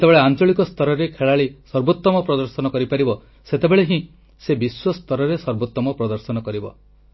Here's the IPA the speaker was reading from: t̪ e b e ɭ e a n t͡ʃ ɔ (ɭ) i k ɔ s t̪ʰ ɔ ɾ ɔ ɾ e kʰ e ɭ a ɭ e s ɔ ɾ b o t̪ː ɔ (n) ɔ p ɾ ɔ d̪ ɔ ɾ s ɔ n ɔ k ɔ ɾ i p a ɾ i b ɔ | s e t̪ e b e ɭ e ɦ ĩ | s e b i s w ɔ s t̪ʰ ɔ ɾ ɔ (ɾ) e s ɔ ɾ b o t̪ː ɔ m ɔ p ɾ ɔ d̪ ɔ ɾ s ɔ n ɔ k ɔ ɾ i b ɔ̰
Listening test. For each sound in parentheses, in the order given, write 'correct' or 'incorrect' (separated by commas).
correct, incorrect, correct